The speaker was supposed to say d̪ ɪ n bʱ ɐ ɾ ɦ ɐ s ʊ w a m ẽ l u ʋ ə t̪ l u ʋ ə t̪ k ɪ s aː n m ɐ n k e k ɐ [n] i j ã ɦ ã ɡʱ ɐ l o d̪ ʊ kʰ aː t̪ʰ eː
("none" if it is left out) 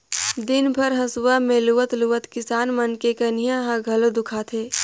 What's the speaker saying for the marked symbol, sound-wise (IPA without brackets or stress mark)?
n